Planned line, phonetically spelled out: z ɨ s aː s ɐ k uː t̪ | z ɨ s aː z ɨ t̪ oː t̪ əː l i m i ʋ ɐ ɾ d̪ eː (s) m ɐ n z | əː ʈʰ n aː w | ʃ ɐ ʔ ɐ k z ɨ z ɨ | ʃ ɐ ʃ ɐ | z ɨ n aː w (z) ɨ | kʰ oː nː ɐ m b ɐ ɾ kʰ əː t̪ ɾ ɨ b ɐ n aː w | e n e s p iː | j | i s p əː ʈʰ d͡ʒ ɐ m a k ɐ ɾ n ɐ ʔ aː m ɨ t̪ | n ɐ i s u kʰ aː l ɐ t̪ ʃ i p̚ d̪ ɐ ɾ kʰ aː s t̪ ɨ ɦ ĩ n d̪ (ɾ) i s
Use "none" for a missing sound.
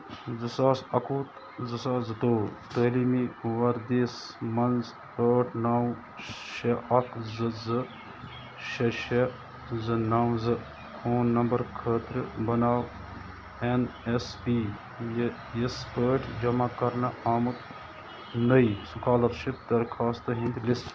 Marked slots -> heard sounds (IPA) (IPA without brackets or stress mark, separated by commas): s, z, l